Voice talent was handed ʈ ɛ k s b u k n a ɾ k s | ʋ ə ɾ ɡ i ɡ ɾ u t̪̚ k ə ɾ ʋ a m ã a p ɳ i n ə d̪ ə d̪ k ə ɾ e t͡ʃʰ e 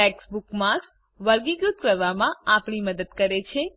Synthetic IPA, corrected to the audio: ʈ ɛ k s b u k m a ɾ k s | ʋ ə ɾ ɡ i ɡ ɾ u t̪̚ k ə ɾ ʋ a m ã a p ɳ i m ə d̪ ə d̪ k ə ɾ e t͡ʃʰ e

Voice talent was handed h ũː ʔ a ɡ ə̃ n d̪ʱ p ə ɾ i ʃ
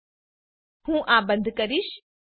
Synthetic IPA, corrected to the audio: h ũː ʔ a b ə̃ n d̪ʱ k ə ɾ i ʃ

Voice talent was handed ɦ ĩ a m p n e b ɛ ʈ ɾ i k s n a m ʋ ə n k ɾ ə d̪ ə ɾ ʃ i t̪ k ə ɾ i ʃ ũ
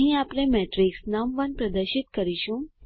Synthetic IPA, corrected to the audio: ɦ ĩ a p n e m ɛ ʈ ɾ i k s n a m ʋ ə n p ɾ ə d̪ ə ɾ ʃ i t̪ k ə ɾ i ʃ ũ

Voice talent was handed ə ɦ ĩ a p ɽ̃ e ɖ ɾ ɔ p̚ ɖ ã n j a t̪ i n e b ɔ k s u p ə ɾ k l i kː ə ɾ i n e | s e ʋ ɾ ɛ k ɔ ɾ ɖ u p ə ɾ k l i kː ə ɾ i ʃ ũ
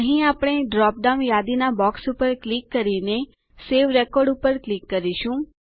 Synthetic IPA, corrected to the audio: ə ɦ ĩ a p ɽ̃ e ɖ ɾ ɔ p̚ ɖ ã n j a d̪ i n a b ɔ k s u p ə ɾ k l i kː ə ɾ i n e | s e ʋ ɾ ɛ k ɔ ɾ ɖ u p ə ɾ k l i kː ə ɾ i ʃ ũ

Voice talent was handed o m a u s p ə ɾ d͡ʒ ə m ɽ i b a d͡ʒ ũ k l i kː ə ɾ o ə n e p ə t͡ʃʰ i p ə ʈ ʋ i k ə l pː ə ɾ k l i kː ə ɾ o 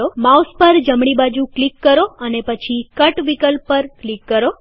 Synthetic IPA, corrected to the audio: o m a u s p ə ɾ d͡ʒ ə m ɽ i b a d͡ʒ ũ k l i kː ə ɾ o ə n e p ə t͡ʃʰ i k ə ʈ ʋ i k ə l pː ə ɾ k l i kː ə ɾ o

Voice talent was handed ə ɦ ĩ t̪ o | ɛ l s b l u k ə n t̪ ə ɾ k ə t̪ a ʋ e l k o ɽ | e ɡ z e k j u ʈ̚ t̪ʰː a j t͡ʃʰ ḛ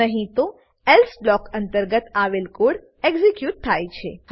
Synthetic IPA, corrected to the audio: ə ɦ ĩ t̪ o | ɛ l s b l ɔ k ə n t̪ ə ɾ ɡ ə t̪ a ʋ e l k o ɽ | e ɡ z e k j u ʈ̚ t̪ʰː a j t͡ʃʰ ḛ

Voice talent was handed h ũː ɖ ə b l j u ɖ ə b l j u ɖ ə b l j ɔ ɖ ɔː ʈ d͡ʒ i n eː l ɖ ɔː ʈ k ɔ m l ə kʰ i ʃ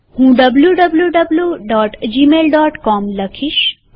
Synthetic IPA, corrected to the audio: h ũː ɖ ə b l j u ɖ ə b l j u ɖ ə b l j u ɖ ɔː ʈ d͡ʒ i m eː l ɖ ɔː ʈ k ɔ m l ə kʰ i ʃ

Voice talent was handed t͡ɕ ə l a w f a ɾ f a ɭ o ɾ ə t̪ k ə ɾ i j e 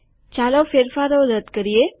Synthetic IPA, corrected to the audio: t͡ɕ a l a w f e ɾ f a ɾ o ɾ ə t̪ k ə ɾ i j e

